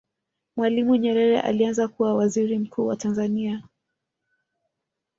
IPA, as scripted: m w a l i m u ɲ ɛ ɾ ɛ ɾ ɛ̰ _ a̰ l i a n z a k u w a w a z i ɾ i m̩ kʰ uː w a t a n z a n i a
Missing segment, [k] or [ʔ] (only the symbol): ʔ